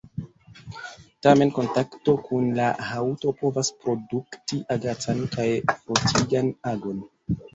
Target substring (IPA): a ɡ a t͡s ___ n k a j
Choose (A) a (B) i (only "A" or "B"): A